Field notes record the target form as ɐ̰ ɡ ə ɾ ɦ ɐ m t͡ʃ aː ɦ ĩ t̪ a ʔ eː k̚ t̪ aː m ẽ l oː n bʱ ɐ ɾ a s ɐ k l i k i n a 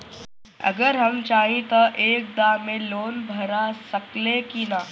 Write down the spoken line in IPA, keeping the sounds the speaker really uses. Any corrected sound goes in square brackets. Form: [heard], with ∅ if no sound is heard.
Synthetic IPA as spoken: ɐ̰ ɡ ə ɾ ɦ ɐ m t͡ʃ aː ɦ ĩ t̪ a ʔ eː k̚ [d̪] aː m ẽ l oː n bʱ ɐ ɾ a s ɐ k l [e] k i n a